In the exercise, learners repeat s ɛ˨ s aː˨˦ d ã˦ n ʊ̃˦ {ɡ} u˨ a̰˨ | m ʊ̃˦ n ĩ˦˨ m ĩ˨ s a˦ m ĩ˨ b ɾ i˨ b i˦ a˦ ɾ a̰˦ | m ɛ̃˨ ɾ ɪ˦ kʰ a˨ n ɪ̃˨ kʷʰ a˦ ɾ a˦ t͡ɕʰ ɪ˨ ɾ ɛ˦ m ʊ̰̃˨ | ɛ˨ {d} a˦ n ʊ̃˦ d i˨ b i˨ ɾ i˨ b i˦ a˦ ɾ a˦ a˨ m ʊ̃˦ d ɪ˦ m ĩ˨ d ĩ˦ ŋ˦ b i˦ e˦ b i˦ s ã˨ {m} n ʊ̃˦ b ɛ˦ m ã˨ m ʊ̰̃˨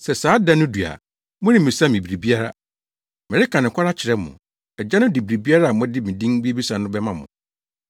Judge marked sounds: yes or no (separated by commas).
no, no, no